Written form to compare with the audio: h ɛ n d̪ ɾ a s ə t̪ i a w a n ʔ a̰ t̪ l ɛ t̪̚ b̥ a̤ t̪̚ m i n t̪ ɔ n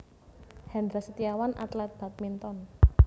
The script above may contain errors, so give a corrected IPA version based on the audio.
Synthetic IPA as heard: h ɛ n d̪ ɾ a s ə t̪ i a w a n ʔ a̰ t̪ l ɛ t̪̚ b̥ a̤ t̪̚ m i n t̪ ɔ n